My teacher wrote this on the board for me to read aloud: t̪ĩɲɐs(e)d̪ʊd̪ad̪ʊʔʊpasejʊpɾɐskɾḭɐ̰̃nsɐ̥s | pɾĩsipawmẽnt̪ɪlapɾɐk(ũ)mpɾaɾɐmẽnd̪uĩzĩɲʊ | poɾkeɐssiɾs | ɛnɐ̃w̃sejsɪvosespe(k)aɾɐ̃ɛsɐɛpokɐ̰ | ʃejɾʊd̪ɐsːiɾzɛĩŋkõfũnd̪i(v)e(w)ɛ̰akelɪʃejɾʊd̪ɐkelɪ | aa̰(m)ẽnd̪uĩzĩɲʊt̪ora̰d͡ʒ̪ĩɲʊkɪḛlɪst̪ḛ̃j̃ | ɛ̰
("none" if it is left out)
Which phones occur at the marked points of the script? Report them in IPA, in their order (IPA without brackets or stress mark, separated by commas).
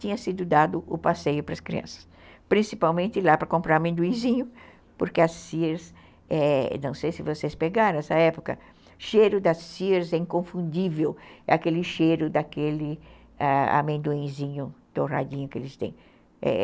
i, õ, ɡ, v, w, m